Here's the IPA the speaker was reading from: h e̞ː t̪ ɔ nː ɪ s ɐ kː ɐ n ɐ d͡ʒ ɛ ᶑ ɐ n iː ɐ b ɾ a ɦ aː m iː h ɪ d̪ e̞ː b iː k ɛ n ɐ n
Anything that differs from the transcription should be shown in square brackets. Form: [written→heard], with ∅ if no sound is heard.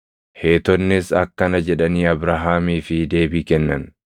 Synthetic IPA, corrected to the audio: h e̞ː t̪ ɔ nː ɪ s ɐ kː ɐ n ɐ d͡ʒ ɛ ᶑ ɐ n iː ɐ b ɾ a ɦ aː m iː [h→f] ɪ d̪ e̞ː b iː k ɛ [n→nː] ɐ n